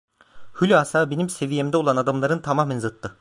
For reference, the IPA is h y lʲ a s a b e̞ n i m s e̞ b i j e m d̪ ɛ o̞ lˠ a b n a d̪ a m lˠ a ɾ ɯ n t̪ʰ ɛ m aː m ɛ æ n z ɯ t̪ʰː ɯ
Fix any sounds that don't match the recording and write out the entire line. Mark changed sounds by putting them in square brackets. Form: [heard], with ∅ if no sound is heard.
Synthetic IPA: h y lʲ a s a b e̞ n i m s e̞ [v] i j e m d̪ ɛ o̞ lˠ a [∅] n a d̪ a m lˠ a ɾ ɯ n t̪ʰ [a] m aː m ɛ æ n z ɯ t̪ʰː ɯ